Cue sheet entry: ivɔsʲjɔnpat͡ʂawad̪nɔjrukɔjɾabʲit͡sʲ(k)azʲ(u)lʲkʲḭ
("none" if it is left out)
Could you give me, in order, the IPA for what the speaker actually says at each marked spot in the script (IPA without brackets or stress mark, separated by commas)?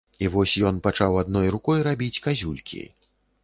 k, u